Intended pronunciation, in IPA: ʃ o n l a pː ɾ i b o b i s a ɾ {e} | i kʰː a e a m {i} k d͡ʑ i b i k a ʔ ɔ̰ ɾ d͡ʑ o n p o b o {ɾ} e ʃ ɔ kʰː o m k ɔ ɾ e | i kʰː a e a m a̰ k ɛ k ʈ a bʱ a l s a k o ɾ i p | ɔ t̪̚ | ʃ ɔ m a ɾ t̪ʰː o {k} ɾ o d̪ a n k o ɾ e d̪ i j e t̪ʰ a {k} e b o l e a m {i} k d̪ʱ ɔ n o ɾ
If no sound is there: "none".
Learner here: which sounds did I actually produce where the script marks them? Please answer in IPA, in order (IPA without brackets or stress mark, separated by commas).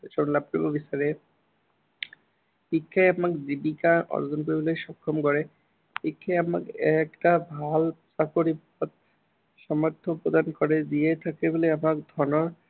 e, a, l, p, k, a